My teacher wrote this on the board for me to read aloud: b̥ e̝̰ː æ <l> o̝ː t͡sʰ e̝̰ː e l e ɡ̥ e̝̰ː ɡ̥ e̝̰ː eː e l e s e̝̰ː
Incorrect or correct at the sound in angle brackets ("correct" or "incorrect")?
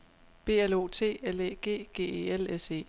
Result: correct